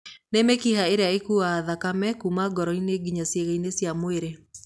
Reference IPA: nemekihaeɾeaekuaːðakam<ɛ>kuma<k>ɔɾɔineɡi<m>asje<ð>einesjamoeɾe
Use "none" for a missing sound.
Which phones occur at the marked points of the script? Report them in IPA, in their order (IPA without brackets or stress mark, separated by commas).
ɛ, ɡ, ɲ, ɣ